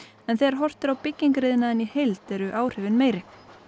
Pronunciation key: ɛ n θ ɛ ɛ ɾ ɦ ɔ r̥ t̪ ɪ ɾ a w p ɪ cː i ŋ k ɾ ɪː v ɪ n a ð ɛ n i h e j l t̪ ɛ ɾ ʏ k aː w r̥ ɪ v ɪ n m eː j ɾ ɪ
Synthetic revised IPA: ɛ n θ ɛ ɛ ɾ ɦ ɔ r̥ t̪ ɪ ɾ a w p ɪ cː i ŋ k ɾ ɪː ð ɪ n a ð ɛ n i h e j l t̪ ɛ ɾ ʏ ʔ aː w r̥ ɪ v ɪ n m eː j ɾ ɪ